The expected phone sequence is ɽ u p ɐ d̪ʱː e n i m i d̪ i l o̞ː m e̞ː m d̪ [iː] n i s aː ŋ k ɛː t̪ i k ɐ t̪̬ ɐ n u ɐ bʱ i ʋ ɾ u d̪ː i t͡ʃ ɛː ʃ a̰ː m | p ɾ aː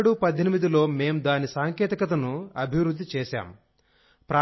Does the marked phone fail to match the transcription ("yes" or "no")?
yes